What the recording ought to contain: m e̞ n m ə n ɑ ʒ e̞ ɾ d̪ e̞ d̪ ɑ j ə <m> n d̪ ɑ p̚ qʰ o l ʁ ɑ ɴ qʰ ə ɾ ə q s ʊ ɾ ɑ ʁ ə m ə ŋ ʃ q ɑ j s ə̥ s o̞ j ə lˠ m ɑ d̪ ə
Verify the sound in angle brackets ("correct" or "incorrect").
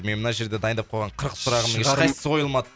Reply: incorrect